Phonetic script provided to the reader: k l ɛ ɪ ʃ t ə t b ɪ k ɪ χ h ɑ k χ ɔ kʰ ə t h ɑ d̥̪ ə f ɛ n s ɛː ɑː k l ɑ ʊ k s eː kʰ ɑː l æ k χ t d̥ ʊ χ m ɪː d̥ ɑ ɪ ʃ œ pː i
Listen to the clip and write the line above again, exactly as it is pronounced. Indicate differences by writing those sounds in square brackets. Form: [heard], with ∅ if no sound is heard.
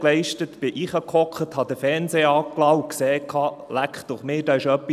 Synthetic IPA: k l ɛ ɪ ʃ t ə t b ɪ [ʔ] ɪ χ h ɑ k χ ɔ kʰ ə t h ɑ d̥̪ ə f ɛ n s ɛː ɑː k l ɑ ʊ k s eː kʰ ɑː l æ k χ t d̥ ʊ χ m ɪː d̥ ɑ ɪ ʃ œ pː i